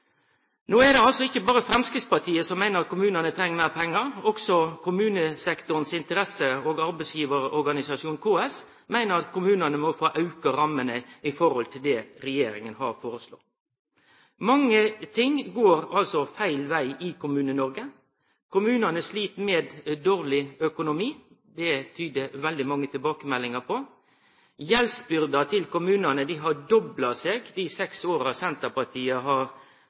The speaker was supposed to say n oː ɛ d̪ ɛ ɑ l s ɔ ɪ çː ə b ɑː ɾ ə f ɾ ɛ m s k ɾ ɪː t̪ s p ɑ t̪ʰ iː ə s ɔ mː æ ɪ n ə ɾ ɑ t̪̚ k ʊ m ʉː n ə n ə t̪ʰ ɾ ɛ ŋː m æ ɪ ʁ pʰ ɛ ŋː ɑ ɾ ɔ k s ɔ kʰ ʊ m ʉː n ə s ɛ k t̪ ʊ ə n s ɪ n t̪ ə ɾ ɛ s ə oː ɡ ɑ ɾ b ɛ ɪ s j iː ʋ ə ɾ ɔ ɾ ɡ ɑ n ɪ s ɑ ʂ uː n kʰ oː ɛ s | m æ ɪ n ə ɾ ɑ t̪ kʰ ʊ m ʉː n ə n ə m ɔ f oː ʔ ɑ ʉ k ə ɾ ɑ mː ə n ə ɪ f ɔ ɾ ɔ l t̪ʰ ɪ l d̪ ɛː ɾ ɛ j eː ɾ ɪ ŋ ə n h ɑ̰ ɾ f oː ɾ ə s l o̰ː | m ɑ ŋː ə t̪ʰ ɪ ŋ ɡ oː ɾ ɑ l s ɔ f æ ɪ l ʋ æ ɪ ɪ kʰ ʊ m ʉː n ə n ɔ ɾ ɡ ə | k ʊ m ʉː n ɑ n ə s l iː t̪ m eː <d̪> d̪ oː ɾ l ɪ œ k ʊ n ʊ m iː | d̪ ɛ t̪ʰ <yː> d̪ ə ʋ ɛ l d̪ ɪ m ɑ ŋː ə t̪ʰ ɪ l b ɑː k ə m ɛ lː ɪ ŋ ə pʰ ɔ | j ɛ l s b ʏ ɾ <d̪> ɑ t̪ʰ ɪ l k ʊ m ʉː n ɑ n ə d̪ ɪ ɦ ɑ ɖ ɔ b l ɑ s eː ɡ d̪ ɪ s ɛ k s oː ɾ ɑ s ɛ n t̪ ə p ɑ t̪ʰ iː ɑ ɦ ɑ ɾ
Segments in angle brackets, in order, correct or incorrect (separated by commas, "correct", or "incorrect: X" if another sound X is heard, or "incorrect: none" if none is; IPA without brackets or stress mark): correct, correct, correct